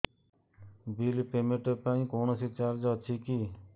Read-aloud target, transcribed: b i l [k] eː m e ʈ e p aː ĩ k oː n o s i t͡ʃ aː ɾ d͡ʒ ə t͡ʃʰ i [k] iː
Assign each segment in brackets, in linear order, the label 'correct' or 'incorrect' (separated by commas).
incorrect, correct